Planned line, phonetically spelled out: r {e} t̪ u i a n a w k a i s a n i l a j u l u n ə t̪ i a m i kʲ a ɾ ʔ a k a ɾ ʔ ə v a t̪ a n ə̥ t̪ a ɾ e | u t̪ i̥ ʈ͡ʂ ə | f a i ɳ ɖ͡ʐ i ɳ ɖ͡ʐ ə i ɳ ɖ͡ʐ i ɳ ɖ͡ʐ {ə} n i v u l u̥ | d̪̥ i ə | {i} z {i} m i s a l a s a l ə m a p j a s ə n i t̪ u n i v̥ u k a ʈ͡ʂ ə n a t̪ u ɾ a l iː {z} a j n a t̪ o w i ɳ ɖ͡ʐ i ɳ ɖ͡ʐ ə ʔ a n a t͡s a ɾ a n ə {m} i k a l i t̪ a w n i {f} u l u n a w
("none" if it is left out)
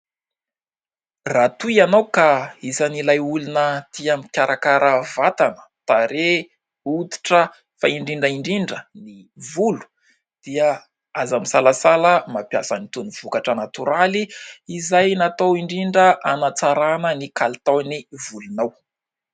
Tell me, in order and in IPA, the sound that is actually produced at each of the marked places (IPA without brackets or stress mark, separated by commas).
a, ə, a, a, z, n, v